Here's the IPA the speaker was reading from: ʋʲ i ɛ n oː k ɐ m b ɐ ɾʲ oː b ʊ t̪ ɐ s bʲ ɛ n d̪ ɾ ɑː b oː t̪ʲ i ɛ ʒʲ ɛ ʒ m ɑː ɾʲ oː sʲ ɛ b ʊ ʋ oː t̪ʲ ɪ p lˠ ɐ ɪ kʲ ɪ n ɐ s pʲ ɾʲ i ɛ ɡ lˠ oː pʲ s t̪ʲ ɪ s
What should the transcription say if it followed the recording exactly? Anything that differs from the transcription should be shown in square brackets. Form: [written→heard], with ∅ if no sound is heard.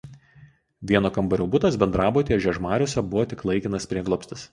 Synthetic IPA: ʋʲ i ɛ n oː k ɐ m b ɐ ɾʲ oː b ʊ t̪ ɐ s bʲ ɛ n d̪ ɾ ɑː b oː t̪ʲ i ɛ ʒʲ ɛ ʒ m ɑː ɾʲ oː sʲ ɛ b ʊ ʋ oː t̪ʲ ɪ [p→k] lˠ ɐ ɪ kʲ ɪ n ɐ s pʲ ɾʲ i ɛ ɡ lˠ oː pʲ s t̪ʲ ɪ s

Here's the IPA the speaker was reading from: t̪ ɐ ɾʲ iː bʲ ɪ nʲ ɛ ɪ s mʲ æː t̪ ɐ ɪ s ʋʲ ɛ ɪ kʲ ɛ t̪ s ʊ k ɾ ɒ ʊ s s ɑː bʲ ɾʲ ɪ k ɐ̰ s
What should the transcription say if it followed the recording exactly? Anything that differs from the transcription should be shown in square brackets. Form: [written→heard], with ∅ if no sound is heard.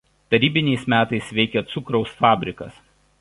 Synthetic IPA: t̪ ɐ ɾʲ iː bʲ ɪ nʲ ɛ ɪ s mʲ æː t̪ ɐ ɪ s ʋʲ ɛ ɪ kʲ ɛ t̪ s ʊ k ɾ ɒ ʊ s [s→f] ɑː bʲ ɾʲ ɪ k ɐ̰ s

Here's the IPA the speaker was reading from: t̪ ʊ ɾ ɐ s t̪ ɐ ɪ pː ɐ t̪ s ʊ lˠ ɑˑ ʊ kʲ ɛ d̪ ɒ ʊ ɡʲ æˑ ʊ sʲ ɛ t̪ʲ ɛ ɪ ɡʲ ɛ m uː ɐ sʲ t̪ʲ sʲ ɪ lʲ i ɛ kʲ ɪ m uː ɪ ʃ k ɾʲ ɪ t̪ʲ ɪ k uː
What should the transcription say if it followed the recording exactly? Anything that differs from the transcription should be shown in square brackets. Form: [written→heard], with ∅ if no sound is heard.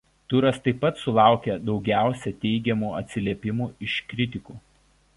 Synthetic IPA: t̪ ʊ ɾ ɐ s t̪ ɐ ɪ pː ɐ t̪ s ʊ lˠ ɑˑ ʊ kʲ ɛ d̪ ɒ ʊ ɡʲ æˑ ʊ sʲ ɛ t̪ʲ ɛ ɪ ɡʲ ɛ m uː ɐ [sʲ→∅] t̪ʲ sʲ ɪ lʲ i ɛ [kʲ→pʲ] ɪ m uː ɪ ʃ k ɾʲ ɪ t̪ʲ ɪ k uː

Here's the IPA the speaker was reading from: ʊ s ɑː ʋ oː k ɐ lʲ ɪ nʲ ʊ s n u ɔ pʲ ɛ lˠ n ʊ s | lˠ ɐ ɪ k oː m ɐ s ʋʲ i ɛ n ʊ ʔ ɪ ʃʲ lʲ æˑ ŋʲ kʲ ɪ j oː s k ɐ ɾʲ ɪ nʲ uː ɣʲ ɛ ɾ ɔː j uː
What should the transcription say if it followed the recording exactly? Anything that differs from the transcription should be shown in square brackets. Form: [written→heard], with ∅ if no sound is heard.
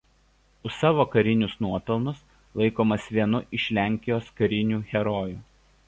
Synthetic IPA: ʊ s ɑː ʋ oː k ɐ [lʲ→ɾʲ] ɪ nʲ ʊ s n u ɔ pʲ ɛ lˠ n ʊ s | lˠ ɐ ɪ k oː m ɐ s ʋʲ i ɛ n ʊ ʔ ɪ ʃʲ lʲ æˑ ŋʲ kʲ ɪ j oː s k ɐ ɾʲ ɪ nʲ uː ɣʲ ɛ ɾ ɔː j uː

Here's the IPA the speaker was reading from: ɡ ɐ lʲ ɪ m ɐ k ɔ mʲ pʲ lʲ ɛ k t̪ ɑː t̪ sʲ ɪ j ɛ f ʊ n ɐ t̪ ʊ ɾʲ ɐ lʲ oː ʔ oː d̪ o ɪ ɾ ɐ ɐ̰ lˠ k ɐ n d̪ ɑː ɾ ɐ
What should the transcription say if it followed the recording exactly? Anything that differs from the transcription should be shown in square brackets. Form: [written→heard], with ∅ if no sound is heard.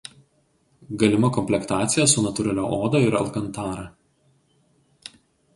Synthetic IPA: ɡ ɐ lʲ ɪ m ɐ k ɔ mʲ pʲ lʲ ɛ k t̪ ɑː t̪ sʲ ɪ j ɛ [f→s] ʊ n ɐ t̪ ʊ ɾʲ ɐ lʲ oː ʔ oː d̪ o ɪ ɾ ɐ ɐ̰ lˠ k ɐ n [d̪→t̪] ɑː ɾ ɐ

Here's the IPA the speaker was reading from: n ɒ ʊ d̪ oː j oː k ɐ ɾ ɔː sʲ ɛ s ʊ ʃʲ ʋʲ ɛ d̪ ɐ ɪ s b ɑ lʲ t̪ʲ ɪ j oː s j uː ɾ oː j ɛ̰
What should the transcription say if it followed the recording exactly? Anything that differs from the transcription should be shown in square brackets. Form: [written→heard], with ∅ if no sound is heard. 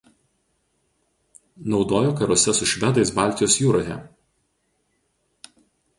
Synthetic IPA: n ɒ ʊ d̪ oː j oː k ɐ ɾ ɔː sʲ ɛ s ʊ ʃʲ ʋʲ ɛ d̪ ɐ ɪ s b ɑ lʲ t̪ʲ ɪ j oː s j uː ɾ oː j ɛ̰

